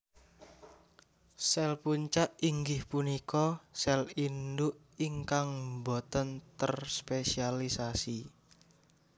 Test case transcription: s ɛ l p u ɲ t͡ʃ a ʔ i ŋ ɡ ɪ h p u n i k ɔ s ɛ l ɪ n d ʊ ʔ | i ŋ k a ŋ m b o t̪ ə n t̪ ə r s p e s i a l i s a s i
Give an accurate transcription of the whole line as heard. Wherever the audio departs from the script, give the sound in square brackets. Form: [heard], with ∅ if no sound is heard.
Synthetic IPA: s ɛ l p u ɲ t͡ʃ a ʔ i ŋ ɡ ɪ h p u n i k ɔ s ɛ l [i] n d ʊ ʔ | i ŋ k a ŋ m b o t̪ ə n t̪ ə r s p e s i a l i s a s i